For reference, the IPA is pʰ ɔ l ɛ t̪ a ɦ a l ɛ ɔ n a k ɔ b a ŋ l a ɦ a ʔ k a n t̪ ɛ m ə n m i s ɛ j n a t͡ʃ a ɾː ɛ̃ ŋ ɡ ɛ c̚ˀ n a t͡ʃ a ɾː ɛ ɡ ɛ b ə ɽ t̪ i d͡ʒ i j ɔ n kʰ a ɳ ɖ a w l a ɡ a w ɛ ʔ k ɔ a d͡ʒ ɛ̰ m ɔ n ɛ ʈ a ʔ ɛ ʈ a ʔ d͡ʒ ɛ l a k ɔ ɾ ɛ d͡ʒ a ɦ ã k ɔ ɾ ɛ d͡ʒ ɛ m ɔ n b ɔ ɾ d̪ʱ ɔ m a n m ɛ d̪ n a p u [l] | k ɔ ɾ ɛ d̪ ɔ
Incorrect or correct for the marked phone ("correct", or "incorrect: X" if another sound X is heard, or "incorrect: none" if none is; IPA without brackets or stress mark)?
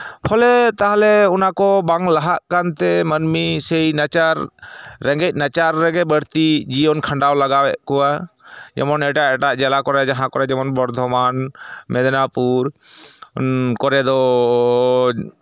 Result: incorrect: ɾ